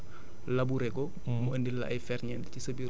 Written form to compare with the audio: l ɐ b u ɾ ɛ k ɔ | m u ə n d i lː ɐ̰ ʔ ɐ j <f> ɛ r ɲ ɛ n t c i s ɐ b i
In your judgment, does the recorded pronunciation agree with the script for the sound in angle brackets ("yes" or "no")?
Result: yes